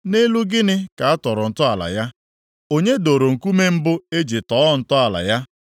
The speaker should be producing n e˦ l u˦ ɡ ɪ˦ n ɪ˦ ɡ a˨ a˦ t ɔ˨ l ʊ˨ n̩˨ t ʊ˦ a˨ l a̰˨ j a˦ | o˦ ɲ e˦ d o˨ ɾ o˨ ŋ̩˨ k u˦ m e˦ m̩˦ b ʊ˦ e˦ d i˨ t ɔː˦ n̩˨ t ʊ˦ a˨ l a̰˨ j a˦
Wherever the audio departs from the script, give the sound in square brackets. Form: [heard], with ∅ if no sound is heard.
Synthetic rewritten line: n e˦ l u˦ ɡ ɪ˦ n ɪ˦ [k] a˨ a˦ t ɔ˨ [ɾ] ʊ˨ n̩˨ t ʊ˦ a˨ l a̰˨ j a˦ | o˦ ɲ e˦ d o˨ ɾ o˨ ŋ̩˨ k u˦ m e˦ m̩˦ b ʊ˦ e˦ [d͡ʒ] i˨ t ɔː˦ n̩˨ t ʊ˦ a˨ l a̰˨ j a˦